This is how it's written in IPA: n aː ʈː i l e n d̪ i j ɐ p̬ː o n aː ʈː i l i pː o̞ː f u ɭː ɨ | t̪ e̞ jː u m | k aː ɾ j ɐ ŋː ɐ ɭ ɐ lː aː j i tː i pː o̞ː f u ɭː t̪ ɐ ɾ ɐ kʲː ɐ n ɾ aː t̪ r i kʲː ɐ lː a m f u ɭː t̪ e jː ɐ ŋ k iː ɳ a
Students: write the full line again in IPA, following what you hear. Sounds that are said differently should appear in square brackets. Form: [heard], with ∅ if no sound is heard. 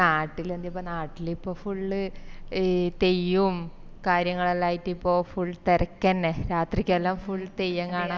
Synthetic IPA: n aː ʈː i l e n d̪ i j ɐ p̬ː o n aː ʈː i l i pː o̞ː f u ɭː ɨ | t̪ e̞ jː u m | k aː ɾ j ɐ ŋː ɐ ɭ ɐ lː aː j i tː i pː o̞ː f u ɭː t̪ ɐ ɾ ɐ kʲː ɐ n ɾ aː t̪ r i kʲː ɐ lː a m f u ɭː t̪ e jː ɐ ŋ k [aː] ɳ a